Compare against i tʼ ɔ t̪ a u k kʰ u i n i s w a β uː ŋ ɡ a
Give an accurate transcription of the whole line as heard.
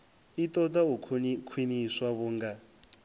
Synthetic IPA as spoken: i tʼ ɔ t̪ a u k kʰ w i n i s w a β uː ŋ ɡ a

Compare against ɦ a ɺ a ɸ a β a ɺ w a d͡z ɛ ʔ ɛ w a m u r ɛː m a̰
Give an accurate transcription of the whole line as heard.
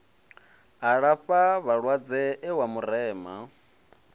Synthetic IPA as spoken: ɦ a ɺ a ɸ a β a ɺ w a d͡z ɛ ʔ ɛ w a m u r ɛː m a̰

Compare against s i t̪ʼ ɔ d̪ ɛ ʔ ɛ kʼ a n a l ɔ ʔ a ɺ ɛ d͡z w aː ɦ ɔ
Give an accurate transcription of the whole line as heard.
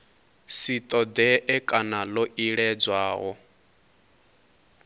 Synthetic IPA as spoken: s i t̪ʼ ɔ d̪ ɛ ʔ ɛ kʼ a n a l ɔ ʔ i ɺ ɛ d͡z w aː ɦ ɔ

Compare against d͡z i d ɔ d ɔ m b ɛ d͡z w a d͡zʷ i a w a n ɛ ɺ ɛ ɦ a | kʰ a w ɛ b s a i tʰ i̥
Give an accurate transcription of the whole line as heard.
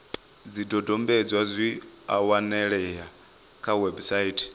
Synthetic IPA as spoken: d͡z i d ɔ d ɔ m b ɛ d͡z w a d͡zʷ i a w a n ɛ ɺ ɛ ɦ a | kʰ a w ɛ b s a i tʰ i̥

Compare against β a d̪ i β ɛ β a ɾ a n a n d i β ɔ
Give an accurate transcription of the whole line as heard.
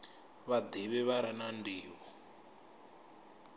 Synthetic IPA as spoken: β a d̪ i β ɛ β a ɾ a n a n d iː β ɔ

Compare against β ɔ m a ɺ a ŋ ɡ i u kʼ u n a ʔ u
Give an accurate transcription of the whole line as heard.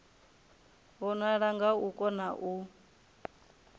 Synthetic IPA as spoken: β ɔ n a ɺ a ŋ ɡ a u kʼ ɔ n a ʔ u

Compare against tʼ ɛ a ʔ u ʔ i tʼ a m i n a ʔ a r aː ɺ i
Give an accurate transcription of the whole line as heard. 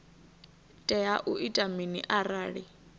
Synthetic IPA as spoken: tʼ ɛ a ʔ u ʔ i tʼ a m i n i ʔ a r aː ɺ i

